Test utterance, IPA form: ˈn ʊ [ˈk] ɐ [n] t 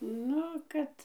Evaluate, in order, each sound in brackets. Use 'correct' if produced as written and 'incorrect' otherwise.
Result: correct, incorrect: none

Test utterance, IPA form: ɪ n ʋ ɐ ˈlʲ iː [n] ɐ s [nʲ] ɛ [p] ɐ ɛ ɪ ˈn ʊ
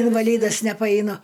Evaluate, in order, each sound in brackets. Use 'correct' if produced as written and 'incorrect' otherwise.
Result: incorrect: d, correct, correct

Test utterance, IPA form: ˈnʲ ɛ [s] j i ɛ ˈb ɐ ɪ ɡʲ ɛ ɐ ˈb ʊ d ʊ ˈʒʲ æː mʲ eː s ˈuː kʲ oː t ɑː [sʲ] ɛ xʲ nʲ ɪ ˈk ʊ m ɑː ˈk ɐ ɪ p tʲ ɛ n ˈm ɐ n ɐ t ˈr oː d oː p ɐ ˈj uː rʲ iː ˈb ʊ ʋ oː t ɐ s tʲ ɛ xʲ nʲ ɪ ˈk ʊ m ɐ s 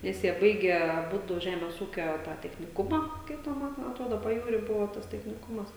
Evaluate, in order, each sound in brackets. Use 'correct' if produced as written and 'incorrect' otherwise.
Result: correct, incorrect: tʲ

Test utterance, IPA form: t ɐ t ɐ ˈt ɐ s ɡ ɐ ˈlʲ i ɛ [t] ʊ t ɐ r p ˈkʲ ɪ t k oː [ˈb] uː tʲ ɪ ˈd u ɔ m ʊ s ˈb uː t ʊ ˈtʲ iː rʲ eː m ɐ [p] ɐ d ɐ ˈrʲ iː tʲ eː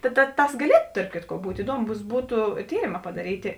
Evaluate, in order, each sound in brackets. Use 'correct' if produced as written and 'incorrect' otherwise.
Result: correct, correct, correct

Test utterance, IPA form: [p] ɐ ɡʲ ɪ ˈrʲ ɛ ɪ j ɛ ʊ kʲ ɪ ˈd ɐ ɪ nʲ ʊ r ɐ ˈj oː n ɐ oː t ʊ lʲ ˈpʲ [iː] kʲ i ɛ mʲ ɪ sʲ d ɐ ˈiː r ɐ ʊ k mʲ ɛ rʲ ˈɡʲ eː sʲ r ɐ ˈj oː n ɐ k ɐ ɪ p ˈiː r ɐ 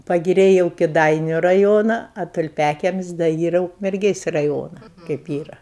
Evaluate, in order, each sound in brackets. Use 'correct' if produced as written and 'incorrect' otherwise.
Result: correct, incorrect: æː

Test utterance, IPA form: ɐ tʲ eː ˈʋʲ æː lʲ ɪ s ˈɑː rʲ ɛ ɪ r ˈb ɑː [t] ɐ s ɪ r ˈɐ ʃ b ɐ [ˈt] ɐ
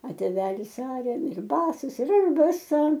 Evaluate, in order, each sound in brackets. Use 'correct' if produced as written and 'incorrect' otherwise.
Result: incorrect: s, incorrect: s

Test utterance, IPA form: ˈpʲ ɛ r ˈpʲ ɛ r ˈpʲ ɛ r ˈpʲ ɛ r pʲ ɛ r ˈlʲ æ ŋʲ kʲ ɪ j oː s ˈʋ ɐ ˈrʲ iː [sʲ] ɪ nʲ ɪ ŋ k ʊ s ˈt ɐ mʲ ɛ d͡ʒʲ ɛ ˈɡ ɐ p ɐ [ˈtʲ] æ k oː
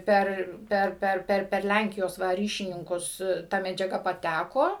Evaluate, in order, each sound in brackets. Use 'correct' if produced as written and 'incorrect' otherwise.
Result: incorrect: ʃʲ, correct

